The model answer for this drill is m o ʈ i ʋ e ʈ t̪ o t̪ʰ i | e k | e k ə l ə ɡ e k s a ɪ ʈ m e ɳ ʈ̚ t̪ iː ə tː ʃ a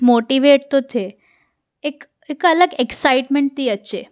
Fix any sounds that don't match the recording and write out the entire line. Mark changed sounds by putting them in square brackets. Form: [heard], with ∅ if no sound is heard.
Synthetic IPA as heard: m o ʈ i ʋ e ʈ t̪ o t̪ʰ [e] | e k | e k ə l ə ɡ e k s a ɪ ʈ m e ɳ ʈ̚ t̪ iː ə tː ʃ [e]